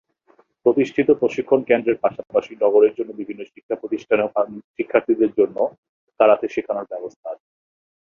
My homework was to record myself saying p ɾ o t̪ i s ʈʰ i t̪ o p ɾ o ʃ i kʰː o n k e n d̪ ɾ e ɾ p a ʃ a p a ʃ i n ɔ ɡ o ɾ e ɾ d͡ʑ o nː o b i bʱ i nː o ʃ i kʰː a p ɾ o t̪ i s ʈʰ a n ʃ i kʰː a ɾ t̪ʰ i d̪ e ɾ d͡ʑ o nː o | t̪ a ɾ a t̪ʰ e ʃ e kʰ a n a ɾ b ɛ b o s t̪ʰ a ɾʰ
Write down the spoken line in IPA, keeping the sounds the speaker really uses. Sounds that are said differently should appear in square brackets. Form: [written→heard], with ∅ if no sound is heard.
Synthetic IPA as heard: p ɾ o t̪ i [s→ʃ] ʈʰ i t̪ o p ɾ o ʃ i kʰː o n k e n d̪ ɾ e ɾ p a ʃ a p a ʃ i n ɔ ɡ o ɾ e ɾ d͡ʑ o nː o b i bʱ i nː o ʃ i kʰː a p ɾ o t̪ i [s→ʃ] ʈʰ a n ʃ i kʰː a ɾ t̪ʰ i d̪ e ɾ d͡ʑ o nː o | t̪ a ɾ a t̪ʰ e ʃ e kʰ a n a ɾ b ɛ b o s t̪ʰ a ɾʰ